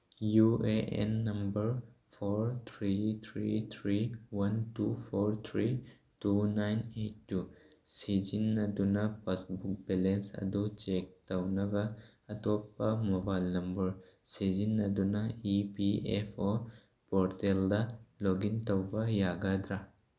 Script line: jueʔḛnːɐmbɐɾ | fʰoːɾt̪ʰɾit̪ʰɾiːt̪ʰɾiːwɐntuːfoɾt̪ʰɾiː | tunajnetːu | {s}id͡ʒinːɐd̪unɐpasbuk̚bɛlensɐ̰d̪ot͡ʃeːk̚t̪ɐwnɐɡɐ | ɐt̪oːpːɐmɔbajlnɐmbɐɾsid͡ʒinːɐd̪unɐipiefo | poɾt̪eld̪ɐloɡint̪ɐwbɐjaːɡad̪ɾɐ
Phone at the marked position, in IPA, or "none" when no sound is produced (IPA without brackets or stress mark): s